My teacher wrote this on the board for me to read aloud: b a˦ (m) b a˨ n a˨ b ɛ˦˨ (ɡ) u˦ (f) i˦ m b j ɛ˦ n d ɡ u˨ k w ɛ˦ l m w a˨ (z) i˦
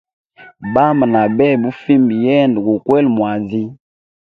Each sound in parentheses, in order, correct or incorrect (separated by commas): correct, incorrect, correct, correct